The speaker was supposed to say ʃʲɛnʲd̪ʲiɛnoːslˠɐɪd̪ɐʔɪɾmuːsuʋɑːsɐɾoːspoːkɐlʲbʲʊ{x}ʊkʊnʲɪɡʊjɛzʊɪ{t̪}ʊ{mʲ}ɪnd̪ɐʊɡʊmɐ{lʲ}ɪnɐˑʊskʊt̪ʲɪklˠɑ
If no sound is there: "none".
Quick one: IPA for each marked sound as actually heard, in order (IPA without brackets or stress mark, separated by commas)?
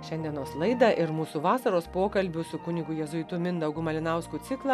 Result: s, t̪, mʲ, lʲ